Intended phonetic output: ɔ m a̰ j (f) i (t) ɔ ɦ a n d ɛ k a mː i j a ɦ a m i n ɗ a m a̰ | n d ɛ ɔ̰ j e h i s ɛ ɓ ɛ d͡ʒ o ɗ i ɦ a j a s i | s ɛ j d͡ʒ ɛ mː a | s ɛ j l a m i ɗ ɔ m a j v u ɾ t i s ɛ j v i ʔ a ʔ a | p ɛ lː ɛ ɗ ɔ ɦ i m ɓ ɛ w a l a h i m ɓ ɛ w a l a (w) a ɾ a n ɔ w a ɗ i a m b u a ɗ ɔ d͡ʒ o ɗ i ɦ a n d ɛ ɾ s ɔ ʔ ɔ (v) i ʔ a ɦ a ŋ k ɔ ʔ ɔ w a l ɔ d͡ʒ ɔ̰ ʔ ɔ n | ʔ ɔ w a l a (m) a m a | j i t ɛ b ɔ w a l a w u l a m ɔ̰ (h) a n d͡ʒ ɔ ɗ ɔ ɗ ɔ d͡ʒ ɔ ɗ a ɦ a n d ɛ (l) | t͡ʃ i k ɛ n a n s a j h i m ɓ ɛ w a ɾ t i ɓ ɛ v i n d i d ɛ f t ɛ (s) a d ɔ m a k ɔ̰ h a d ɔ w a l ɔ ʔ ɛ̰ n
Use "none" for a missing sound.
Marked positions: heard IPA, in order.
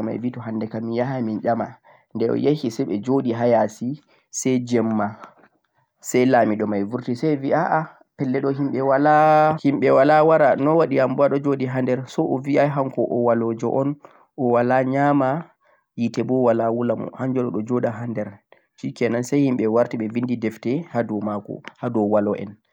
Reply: v, t, w, v, ɲ, h, ɾ, h

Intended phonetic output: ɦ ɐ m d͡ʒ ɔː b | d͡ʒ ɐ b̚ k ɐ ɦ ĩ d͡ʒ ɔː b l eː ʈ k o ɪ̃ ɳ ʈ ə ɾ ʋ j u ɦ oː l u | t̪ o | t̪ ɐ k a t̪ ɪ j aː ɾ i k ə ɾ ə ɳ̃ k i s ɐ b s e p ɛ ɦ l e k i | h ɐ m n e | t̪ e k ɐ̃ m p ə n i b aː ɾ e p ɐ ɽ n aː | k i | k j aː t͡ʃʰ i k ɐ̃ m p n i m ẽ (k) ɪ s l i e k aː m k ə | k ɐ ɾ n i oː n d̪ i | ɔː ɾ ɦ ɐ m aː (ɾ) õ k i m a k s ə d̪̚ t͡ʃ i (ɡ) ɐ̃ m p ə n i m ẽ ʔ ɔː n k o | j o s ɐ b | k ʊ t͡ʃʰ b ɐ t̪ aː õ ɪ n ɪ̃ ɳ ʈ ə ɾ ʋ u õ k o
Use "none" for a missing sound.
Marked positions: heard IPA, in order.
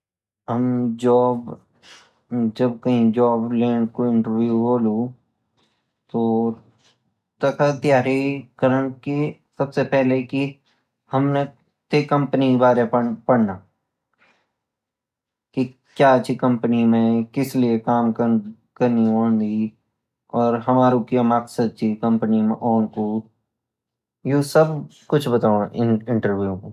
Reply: k, ɾ, k

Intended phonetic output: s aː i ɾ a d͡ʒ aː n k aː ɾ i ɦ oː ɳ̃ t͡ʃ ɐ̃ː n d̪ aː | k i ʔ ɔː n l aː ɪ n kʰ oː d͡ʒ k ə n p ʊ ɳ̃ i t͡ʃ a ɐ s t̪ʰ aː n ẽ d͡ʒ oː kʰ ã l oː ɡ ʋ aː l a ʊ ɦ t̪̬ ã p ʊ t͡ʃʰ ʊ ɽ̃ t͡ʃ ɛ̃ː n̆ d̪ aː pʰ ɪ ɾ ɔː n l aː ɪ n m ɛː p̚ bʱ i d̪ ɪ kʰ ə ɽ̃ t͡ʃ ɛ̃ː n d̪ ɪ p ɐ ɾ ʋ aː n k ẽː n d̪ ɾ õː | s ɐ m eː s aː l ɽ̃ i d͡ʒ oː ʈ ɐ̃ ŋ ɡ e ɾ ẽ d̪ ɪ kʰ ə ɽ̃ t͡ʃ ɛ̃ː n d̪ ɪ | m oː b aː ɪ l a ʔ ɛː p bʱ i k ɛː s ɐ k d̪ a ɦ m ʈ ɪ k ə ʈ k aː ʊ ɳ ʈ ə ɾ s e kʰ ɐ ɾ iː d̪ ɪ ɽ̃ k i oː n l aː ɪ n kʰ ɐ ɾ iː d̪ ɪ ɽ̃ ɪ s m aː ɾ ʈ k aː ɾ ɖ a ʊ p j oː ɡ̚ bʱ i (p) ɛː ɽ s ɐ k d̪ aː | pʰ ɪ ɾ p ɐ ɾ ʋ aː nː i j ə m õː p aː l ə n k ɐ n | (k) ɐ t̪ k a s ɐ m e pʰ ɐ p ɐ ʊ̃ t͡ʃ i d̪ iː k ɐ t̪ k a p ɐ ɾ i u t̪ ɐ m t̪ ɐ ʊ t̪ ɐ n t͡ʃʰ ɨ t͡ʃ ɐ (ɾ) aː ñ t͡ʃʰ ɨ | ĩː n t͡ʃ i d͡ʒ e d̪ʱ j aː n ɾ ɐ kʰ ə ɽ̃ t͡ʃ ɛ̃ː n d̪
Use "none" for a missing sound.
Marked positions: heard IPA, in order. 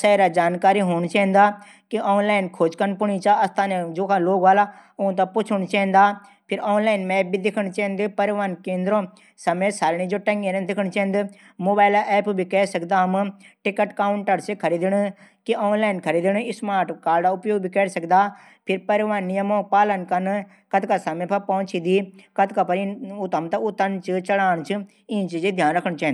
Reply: k, k, ɽ

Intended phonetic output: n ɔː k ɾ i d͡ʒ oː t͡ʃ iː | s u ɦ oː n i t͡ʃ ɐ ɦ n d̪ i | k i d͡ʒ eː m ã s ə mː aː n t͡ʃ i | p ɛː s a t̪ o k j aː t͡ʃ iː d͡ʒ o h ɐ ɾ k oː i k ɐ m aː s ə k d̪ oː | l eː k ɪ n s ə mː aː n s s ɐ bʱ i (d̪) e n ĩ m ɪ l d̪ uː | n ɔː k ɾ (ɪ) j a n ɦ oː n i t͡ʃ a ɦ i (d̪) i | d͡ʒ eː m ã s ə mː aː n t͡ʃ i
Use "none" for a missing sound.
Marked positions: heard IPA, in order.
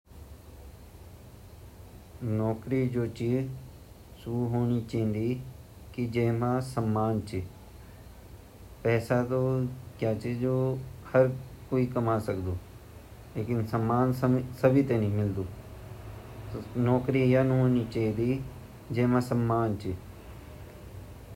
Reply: t̪, i, d̪

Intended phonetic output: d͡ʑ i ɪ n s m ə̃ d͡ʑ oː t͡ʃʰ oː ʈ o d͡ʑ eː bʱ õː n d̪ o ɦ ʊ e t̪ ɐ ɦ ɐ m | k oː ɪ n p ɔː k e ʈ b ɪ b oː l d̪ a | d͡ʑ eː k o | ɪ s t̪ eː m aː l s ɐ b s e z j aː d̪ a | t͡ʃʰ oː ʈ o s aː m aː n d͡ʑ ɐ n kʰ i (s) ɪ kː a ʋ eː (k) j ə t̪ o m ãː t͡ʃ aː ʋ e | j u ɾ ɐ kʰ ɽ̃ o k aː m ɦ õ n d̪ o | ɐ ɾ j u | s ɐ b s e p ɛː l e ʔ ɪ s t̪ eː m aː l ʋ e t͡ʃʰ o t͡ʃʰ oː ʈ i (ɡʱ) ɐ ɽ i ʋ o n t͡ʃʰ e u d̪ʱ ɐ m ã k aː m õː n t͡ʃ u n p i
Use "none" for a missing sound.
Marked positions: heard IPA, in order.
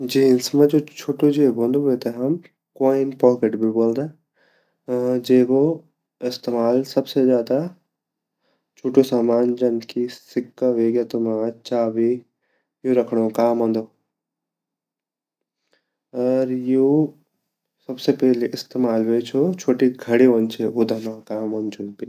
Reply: s, ɡ, ɡʱ

